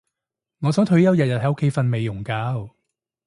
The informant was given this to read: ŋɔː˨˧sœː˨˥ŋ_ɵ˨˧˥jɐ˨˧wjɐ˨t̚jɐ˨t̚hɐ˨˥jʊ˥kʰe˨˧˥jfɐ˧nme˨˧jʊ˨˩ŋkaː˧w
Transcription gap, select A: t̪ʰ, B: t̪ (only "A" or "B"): A